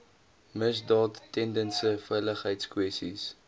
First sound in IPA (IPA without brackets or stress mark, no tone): m